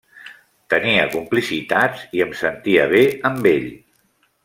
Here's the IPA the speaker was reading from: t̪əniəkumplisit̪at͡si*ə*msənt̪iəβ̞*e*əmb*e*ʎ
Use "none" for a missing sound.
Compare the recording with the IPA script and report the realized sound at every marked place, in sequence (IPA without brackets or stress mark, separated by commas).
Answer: ə, e, e